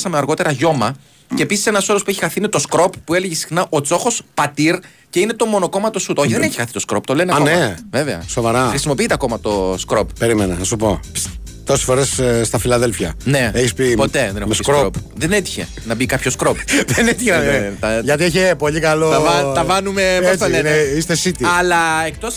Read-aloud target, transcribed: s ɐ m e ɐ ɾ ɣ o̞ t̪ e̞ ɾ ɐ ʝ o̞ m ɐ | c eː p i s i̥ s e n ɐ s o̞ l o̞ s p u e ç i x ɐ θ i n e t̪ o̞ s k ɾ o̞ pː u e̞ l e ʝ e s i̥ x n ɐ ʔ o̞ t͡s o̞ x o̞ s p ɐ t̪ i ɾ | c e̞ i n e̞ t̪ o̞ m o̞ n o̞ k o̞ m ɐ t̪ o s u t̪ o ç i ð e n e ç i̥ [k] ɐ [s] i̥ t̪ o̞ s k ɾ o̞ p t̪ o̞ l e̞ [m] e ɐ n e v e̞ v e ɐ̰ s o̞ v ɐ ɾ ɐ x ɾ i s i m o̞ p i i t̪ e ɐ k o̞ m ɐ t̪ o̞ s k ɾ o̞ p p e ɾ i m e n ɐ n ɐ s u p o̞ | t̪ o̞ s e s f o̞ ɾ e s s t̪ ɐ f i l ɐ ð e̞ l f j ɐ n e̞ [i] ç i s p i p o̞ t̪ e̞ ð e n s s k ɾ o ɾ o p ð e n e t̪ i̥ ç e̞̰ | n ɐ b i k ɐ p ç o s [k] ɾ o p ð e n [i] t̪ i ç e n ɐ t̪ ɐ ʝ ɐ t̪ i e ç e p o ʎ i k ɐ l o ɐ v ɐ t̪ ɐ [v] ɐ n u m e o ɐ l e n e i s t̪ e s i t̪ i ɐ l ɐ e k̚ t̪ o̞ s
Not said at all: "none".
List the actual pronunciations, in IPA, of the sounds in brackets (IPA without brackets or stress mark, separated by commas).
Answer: x, θ, n, e, k, e, v